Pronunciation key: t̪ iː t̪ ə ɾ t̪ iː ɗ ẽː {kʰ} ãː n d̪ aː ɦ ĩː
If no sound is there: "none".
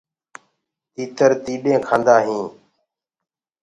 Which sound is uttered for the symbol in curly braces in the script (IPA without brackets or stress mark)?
kʰ